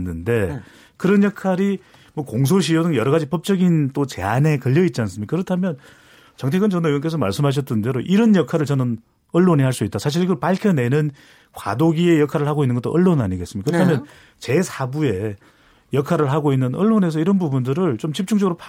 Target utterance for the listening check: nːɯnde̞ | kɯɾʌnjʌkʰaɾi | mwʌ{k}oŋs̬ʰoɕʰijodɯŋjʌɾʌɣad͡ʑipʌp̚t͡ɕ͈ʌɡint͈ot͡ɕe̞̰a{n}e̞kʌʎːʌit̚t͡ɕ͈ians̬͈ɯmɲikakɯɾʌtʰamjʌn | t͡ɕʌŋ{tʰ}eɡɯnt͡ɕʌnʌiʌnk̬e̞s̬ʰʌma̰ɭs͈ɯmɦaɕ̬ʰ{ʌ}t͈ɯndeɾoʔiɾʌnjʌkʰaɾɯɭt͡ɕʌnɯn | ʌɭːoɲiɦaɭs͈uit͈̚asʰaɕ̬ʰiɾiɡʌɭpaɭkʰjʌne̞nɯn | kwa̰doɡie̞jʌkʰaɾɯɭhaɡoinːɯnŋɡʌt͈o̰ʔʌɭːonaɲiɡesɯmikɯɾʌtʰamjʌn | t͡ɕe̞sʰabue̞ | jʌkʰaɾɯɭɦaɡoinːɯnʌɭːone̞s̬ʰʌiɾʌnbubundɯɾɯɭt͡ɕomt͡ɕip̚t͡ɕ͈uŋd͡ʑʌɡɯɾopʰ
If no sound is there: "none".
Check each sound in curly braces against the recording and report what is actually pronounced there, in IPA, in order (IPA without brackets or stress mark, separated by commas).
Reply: k, n, tʰ, ʌ